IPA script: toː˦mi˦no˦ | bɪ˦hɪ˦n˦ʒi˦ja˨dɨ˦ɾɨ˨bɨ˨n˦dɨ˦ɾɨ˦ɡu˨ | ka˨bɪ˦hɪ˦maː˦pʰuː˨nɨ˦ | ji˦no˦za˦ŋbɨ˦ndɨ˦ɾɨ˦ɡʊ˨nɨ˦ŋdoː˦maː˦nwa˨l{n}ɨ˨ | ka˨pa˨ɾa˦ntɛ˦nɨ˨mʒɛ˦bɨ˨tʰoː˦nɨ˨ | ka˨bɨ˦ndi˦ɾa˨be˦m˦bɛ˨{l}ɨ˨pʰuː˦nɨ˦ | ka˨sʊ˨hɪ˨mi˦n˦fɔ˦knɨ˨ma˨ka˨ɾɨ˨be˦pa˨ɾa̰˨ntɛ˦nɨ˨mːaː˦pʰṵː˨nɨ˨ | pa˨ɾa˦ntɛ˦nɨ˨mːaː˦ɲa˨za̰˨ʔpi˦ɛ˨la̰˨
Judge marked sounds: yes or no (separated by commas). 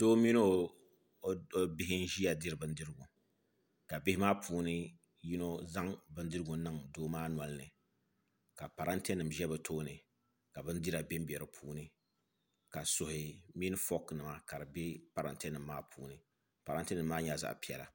yes, no